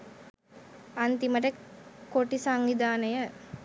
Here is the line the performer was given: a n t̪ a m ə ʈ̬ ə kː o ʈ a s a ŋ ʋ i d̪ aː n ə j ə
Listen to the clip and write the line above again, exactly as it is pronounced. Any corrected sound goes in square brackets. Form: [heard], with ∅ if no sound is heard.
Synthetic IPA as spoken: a n t̪ [i] m ə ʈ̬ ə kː o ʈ [i] s a ŋ ʋ i d̪ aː n ə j ə